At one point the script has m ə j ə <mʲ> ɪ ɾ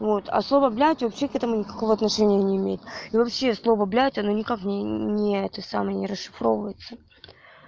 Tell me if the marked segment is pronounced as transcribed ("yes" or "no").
no